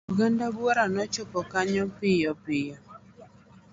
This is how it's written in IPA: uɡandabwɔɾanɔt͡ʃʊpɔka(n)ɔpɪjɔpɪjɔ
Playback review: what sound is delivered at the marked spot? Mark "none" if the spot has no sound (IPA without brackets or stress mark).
ɲ